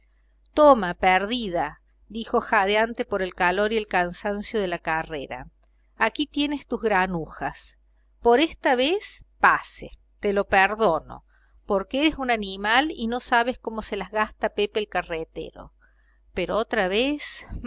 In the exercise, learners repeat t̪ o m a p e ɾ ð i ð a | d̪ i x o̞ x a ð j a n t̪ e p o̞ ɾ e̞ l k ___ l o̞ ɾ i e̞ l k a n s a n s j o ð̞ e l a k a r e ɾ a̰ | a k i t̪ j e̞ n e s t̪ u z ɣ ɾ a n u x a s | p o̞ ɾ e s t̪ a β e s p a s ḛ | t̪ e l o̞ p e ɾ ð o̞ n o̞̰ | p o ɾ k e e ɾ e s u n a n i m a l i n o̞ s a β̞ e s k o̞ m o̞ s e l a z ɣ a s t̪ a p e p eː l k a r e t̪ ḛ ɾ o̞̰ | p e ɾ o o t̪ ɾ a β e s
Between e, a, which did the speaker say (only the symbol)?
a